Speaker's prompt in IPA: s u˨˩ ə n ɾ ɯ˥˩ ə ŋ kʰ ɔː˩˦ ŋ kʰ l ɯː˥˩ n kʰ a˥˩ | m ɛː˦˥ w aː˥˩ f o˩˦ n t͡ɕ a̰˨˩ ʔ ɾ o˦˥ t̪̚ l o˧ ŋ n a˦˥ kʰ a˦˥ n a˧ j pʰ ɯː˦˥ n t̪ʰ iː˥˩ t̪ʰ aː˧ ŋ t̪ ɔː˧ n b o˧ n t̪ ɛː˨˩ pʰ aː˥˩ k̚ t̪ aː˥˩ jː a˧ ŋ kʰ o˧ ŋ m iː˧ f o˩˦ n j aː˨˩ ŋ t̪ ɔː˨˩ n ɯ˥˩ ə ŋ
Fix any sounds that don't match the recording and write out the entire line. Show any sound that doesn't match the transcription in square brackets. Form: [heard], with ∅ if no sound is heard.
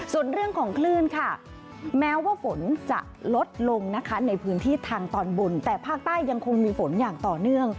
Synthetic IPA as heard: s u˨˩ ə n ɾ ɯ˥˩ ə ŋ kʰ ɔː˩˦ ŋ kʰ l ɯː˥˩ n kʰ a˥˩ | m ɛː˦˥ w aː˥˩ f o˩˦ n t͡ɕ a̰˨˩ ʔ [l] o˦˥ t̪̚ l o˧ ŋ n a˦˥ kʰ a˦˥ n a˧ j pʰ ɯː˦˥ n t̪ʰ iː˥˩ t̪ʰ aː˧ ŋ t̪ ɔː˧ n b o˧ n t̪ ɛː˨˩ pʰ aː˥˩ k̚ t̪ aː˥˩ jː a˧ ŋ kʰ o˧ ŋ m iː˧ f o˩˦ n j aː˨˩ ŋ t̪ ɔː˨˩ n ɯ˥˩ ə ŋ